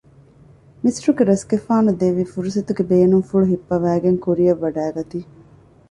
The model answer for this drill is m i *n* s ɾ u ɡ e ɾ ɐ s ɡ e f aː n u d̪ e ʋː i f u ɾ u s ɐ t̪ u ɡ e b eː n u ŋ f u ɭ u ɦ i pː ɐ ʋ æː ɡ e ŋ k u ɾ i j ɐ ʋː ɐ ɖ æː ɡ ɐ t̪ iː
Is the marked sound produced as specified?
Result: no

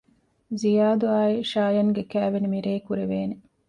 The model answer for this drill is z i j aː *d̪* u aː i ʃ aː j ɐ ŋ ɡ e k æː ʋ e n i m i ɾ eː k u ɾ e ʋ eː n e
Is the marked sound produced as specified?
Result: yes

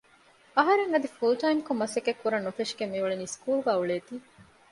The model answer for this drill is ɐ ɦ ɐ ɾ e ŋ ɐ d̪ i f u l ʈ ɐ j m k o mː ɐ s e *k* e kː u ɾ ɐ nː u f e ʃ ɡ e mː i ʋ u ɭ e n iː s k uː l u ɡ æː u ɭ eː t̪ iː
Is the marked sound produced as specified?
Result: yes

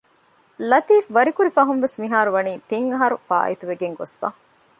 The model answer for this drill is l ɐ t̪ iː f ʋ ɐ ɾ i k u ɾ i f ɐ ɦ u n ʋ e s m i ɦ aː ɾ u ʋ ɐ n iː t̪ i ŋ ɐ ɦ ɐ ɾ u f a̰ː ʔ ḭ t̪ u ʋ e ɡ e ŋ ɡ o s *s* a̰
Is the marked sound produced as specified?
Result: no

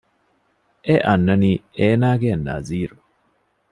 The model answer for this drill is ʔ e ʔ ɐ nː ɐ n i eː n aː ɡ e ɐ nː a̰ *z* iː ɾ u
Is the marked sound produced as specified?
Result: yes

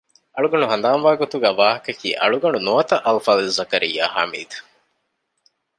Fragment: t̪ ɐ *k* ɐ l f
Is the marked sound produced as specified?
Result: no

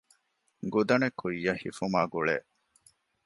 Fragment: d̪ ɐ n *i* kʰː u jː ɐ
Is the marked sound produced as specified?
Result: no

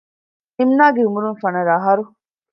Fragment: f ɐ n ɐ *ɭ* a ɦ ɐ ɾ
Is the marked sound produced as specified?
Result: no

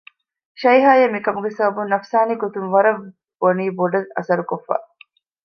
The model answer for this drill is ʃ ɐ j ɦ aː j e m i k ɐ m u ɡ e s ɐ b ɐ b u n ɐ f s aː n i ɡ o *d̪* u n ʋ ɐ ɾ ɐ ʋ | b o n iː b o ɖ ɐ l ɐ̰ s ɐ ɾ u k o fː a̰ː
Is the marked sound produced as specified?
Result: no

